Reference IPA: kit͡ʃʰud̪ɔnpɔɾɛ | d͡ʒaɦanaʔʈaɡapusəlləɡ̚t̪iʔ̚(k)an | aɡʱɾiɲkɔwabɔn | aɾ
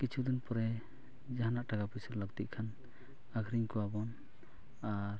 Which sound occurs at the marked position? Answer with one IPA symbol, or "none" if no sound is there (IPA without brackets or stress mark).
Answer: kʰ